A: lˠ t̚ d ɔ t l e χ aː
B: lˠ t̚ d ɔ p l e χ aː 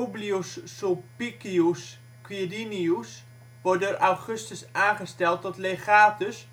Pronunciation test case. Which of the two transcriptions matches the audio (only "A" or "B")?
A